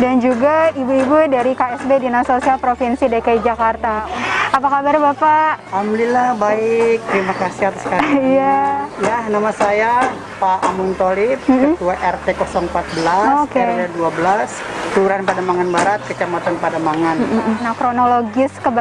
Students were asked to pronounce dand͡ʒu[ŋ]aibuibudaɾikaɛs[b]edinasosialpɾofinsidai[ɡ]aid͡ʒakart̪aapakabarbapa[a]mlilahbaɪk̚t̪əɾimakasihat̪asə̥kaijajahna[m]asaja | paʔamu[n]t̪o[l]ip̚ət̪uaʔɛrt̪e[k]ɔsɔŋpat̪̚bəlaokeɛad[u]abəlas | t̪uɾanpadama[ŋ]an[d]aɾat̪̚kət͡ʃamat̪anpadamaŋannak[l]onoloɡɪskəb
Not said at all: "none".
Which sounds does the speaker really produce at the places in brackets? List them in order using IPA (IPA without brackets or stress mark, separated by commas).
ɡ, b, k, a, m, n, l, k, u, ŋ, b, ɾ